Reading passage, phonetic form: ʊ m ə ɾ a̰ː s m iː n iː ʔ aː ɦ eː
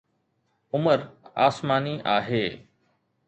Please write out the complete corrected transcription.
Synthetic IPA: ʊ m ə ɾ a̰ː s m aː n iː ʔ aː ɦ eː